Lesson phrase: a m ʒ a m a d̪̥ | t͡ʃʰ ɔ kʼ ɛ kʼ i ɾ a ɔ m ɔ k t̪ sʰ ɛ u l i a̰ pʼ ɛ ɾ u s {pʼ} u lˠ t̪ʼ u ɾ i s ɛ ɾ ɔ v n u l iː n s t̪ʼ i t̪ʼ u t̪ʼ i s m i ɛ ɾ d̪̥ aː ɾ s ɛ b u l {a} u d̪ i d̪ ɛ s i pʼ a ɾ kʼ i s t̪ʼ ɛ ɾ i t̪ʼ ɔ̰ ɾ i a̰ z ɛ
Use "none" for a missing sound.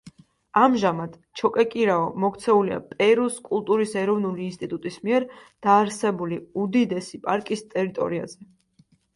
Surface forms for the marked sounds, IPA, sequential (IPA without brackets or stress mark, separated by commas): kʼ, i